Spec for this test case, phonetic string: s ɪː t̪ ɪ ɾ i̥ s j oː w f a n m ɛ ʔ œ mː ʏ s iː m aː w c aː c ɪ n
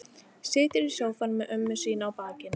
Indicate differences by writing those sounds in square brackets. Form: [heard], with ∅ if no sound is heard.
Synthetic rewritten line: s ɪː t̪ ɪ ɾ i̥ s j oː w f a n m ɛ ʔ œ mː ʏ s iː [n] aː w [p] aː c ɪ n